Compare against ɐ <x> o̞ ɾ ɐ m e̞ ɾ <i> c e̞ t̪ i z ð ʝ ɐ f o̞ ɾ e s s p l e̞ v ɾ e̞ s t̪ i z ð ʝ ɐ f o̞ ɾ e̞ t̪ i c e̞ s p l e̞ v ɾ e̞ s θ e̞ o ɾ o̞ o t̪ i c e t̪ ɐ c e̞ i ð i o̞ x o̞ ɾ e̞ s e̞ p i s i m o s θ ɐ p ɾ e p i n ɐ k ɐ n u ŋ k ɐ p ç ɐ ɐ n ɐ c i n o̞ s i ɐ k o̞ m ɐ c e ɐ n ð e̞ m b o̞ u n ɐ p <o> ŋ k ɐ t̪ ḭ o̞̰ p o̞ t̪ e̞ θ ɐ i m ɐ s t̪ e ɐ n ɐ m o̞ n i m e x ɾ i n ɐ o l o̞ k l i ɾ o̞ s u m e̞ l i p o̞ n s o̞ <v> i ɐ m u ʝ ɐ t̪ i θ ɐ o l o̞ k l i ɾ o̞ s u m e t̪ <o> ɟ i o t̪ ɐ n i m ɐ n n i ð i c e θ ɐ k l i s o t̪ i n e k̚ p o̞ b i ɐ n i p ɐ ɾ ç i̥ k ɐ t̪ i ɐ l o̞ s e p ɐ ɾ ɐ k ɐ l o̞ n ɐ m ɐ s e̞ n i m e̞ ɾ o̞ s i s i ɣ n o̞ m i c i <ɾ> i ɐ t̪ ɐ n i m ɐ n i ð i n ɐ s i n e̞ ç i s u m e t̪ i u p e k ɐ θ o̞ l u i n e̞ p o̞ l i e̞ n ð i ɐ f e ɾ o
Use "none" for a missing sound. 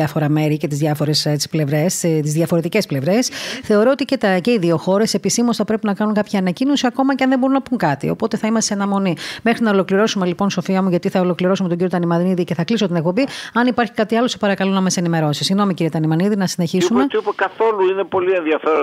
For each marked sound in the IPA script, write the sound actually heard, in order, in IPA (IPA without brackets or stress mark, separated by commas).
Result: f, i, u, f, o, ɾ